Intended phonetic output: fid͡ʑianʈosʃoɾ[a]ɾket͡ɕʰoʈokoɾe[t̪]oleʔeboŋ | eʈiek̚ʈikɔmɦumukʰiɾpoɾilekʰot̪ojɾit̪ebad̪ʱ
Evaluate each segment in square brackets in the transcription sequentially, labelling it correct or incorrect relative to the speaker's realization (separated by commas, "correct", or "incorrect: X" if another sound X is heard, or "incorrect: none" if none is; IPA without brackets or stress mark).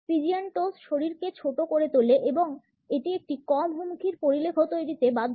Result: incorrect: i, correct